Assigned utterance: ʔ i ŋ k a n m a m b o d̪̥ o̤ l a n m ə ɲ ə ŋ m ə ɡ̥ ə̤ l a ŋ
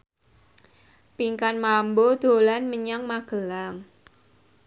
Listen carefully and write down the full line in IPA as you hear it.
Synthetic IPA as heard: p i ŋ k a n m a m b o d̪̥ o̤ l a n m ə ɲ a ŋ m a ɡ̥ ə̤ l a ŋ